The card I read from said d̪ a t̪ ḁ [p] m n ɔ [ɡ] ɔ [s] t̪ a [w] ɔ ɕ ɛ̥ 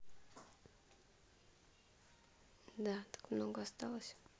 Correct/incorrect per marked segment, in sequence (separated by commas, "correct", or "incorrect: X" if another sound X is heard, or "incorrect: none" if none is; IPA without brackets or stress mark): incorrect: k, correct, correct, correct